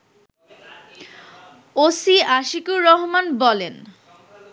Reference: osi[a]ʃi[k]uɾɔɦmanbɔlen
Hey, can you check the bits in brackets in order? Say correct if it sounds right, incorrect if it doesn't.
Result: correct, correct

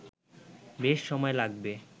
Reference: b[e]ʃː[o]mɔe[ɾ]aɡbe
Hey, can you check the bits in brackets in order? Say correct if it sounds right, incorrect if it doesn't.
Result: correct, incorrect: ɔ, incorrect: l

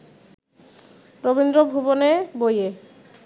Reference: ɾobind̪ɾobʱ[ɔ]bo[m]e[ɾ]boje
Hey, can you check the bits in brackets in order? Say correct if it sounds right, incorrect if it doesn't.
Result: incorrect: u, incorrect: n, incorrect: none

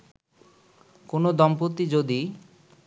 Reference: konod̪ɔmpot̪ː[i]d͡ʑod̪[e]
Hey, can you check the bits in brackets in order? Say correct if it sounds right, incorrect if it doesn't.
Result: correct, incorrect: i

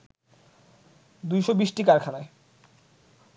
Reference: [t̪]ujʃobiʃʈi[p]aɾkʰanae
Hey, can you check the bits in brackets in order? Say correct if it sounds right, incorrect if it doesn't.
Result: incorrect: d̪, incorrect: k

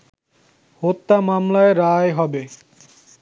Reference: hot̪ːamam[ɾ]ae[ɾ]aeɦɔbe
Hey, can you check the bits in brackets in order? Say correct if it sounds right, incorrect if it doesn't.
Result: incorrect: l, correct

